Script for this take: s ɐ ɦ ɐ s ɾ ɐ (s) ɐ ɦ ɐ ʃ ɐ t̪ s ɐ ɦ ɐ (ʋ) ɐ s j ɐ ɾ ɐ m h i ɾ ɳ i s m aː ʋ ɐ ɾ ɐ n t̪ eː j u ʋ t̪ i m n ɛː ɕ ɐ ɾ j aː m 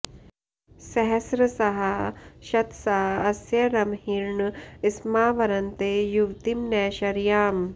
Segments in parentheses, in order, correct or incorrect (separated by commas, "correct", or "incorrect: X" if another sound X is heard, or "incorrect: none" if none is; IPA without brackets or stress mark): correct, incorrect: none